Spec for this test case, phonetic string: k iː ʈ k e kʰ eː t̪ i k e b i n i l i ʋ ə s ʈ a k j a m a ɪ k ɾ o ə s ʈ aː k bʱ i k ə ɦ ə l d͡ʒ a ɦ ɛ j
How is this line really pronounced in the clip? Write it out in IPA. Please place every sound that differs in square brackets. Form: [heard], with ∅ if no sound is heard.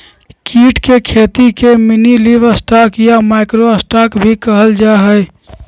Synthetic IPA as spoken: k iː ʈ k e kʰ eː t̪ i k e [m] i n i l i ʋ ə s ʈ a k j a m a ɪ k ɾ o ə s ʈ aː k bʱ i k ə ɦ ə l d͡ʒ a ɦ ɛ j